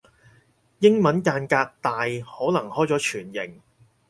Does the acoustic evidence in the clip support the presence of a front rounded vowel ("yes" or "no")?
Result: yes